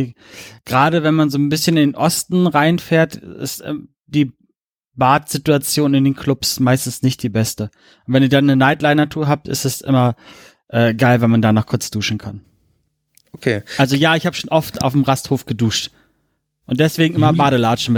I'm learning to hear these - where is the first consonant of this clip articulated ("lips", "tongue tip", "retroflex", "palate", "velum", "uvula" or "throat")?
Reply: velum